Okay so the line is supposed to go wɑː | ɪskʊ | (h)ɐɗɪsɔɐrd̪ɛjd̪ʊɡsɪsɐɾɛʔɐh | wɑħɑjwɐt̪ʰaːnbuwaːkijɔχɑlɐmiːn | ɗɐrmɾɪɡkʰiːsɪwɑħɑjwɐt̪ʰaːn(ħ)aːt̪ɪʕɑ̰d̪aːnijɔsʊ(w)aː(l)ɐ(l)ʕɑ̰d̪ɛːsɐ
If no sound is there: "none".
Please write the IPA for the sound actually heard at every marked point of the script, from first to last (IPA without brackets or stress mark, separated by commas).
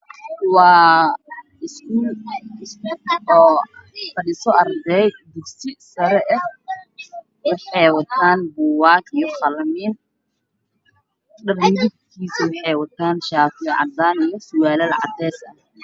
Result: f, ʃ, w, l, l